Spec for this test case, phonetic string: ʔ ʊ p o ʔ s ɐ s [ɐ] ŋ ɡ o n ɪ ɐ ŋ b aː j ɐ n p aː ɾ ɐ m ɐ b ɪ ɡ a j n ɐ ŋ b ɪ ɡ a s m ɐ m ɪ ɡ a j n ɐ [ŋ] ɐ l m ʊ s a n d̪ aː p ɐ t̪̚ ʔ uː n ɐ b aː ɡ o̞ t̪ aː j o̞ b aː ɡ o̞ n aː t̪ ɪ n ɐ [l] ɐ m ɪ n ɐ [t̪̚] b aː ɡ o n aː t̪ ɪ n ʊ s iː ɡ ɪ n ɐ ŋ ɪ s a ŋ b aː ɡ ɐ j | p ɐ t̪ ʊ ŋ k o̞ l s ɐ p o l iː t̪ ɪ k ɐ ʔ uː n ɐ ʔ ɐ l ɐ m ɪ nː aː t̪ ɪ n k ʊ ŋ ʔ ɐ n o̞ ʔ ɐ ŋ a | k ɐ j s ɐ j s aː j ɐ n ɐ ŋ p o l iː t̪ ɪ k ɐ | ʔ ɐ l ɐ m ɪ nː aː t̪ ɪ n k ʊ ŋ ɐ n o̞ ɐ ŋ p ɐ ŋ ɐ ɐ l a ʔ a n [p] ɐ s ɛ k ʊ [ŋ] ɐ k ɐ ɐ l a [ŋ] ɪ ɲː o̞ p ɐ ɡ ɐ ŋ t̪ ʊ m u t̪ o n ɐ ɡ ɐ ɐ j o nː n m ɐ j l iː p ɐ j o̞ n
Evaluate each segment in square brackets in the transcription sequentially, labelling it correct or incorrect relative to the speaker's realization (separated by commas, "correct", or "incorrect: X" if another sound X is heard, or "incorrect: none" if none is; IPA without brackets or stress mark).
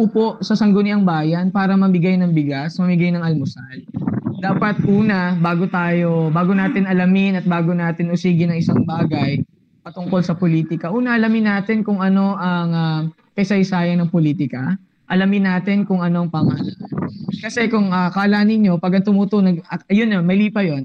correct, correct, correct, correct, incorrect: k, correct, incorrect: n